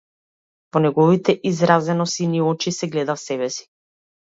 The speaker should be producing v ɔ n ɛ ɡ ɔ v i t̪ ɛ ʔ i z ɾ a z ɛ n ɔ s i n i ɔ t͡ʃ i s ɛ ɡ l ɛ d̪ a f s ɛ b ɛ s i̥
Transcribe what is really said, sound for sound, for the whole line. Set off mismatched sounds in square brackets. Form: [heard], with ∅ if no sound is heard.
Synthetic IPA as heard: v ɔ n ɛ ɡ ɔ v i t̪ ɛ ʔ i z ɾ a z ɛ n ɔ s i n i ɔ t͡ʃ i s ɛ ɡ l ɛ d̪ a f s ɛ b ɛ s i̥